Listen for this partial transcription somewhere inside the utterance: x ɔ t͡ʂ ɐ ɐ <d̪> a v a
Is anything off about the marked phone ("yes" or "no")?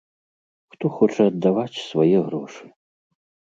yes